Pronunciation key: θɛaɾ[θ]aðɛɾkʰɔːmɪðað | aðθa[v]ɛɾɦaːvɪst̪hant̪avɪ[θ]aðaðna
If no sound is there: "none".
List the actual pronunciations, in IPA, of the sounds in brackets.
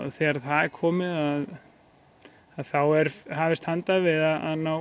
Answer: θ, w, ð

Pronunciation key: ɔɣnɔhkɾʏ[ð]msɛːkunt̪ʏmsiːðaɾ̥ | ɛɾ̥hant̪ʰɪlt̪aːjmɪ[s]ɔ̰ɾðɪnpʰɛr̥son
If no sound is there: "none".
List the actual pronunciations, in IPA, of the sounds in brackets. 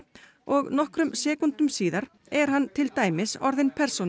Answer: none, s

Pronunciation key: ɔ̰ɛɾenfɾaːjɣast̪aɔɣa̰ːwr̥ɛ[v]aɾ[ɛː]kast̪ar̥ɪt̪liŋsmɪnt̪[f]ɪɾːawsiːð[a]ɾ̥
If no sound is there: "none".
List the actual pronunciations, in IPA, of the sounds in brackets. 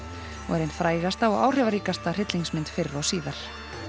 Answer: v, iː, f, a

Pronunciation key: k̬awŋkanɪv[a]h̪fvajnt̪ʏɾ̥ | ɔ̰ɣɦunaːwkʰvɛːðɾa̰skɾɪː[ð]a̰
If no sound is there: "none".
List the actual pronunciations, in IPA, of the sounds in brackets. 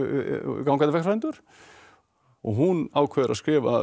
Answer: ɛ, v

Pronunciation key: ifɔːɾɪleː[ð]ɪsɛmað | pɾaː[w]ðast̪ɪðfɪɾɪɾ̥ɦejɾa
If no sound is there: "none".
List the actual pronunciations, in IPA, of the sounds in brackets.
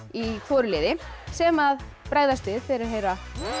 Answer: ð, ɣ

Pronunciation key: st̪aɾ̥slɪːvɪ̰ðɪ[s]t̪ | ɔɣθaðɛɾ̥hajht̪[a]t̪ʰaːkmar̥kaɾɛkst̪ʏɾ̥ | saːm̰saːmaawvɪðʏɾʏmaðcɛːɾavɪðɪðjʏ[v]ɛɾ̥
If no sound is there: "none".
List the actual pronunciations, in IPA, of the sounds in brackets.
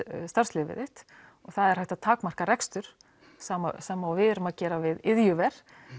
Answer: h, a, v

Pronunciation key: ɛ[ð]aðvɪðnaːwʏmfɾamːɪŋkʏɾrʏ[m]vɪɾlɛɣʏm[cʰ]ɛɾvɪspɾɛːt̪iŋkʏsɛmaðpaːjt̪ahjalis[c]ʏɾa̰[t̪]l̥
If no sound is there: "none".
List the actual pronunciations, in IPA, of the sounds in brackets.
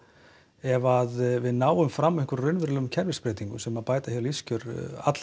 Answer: v, n, cʰ, c, t̪

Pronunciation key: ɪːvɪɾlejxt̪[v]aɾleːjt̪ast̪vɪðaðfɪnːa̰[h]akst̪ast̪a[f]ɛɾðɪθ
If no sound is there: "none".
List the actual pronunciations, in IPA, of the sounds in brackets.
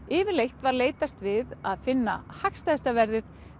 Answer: v, h, v

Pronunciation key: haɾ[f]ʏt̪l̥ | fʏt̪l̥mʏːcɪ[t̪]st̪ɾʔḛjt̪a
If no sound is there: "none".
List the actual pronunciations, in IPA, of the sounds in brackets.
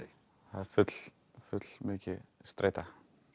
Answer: f, none

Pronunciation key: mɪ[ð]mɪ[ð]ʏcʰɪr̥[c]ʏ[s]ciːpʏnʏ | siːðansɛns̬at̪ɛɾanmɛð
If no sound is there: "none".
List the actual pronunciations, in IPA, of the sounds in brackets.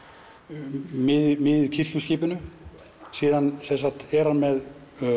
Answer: ð, ð, c, s

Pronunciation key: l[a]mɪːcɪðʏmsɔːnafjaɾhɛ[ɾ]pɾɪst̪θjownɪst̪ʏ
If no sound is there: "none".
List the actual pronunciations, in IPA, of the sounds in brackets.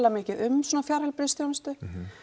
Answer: a, l

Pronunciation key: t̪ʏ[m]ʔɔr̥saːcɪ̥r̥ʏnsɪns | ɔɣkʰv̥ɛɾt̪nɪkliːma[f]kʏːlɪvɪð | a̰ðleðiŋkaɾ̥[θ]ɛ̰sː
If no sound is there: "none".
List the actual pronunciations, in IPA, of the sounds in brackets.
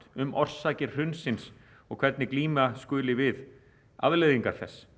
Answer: m, s, θ

